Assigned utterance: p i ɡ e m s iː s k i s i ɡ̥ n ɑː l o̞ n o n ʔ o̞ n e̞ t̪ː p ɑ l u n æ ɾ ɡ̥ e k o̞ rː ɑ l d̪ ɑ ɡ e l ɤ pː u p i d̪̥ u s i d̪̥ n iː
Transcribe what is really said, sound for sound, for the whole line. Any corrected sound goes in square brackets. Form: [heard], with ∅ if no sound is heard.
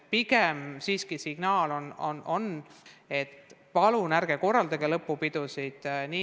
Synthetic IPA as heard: p i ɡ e m s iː s k i s i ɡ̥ n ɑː l o̞ n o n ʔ o̞ n e̞ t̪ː p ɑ l u n æ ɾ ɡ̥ e k o̞ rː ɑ l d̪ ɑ ɡ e l ɤ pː u p i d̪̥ u s i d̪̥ n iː